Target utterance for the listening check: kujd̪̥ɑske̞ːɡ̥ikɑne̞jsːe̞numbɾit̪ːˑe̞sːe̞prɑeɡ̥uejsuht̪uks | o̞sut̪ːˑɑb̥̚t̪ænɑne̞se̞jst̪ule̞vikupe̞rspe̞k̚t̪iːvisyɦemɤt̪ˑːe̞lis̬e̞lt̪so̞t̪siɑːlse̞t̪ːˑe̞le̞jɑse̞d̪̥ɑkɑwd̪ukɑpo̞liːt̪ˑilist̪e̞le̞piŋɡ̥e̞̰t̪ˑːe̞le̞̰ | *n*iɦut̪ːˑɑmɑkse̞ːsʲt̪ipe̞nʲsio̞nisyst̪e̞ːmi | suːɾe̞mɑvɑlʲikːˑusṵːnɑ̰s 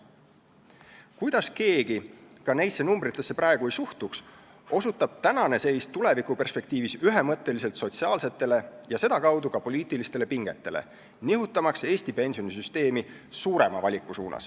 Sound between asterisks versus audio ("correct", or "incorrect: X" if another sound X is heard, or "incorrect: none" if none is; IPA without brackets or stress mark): correct